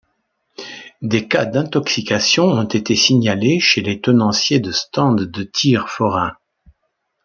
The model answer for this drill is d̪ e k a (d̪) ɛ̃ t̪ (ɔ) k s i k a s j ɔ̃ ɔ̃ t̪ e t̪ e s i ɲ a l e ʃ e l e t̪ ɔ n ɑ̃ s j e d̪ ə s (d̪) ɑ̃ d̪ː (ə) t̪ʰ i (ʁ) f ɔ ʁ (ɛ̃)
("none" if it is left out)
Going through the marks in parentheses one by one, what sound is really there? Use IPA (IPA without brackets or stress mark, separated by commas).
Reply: d̪, ɔ, t̪, ə, ʁ, ɛ̃